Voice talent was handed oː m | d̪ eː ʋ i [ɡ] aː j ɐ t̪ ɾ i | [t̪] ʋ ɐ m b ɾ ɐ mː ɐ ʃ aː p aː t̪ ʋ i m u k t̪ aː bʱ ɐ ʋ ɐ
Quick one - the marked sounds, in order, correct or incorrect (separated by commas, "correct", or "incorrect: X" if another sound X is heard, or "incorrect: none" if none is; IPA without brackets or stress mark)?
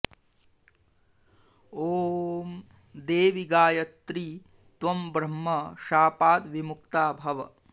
correct, correct